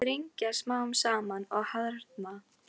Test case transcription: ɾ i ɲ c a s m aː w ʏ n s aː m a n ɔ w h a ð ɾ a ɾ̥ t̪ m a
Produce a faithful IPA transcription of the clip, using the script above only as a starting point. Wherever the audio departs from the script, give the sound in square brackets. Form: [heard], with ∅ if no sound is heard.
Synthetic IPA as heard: ɾ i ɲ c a s m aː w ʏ [m] s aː m a n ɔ [ɣ] h a ð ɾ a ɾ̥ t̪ m a